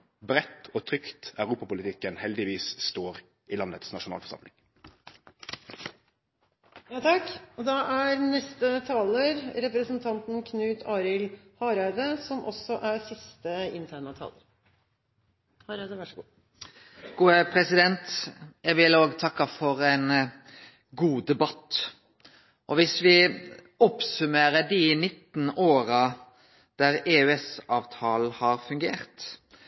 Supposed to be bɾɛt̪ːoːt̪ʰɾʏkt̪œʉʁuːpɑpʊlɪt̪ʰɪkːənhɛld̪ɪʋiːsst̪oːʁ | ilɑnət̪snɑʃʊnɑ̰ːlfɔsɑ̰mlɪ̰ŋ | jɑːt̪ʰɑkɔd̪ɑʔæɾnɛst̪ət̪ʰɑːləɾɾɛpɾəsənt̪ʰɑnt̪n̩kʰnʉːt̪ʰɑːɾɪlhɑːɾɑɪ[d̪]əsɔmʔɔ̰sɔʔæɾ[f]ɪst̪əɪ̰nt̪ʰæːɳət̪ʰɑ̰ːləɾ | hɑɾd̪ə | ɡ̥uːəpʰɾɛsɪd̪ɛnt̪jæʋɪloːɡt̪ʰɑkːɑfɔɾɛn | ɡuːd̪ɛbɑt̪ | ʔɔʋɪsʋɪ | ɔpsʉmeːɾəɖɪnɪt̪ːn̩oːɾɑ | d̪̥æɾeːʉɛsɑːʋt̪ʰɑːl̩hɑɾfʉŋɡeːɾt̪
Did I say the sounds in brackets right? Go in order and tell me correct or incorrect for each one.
correct, incorrect: s

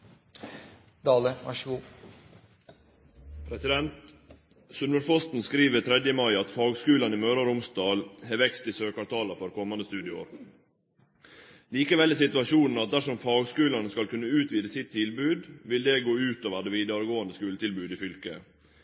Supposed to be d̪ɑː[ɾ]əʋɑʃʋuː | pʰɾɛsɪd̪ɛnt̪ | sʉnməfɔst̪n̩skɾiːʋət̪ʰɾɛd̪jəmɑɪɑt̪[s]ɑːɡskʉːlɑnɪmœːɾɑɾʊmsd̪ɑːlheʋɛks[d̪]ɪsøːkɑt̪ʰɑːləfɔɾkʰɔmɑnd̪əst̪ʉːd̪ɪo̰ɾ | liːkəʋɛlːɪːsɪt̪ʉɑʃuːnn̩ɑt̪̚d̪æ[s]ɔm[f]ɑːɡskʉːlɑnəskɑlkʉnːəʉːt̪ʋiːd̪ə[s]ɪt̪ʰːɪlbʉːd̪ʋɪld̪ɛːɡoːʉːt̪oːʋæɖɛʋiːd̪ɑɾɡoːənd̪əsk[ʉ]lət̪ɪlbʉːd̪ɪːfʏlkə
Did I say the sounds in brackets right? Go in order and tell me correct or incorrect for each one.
incorrect: l, incorrect: f, incorrect: t̪, incorrect: ʂ, correct, correct, incorrect: ʉː

